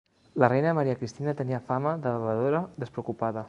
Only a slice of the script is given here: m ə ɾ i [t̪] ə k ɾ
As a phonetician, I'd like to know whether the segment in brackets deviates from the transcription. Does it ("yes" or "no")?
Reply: yes